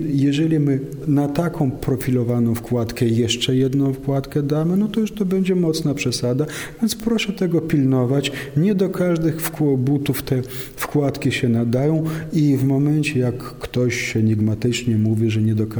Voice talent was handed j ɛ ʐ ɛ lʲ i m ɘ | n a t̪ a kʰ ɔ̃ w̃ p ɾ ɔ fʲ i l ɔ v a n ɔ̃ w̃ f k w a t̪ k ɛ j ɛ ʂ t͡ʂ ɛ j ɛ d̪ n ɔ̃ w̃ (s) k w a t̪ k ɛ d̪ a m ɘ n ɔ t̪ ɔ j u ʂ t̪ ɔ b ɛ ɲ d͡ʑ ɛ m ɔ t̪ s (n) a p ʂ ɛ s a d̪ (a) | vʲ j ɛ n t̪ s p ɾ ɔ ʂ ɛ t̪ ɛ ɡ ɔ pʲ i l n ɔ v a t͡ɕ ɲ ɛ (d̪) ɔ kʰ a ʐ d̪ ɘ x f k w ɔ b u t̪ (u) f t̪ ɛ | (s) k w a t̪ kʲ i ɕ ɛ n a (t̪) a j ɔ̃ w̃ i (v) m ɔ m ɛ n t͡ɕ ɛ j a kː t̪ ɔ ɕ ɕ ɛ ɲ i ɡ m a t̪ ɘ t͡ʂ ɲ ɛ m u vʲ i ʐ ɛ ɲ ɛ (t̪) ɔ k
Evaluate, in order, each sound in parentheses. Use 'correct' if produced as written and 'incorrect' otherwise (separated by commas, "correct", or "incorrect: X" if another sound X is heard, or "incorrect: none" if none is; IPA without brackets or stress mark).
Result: incorrect: f, correct, correct, correct, correct, incorrect: f, incorrect: d̪, correct, incorrect: d̪